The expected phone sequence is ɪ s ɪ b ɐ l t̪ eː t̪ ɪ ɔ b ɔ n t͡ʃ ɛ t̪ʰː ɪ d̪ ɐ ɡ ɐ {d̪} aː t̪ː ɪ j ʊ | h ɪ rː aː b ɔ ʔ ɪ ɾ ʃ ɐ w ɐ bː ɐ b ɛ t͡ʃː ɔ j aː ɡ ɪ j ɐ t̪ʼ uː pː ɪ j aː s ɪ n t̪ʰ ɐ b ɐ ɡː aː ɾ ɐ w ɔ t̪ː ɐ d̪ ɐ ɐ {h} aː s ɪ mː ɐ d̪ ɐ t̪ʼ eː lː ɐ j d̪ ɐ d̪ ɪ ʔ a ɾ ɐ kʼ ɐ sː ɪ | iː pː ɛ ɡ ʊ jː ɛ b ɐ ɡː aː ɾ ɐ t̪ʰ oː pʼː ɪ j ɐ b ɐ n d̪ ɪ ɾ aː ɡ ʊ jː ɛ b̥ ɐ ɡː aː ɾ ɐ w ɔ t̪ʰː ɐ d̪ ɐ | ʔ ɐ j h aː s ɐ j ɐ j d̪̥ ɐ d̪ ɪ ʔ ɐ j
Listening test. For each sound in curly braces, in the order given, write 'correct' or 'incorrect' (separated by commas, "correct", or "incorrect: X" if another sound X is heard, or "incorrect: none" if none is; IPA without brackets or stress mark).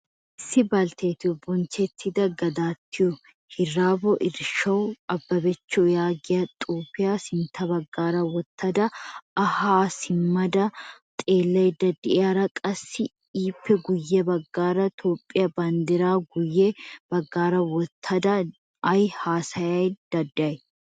correct, correct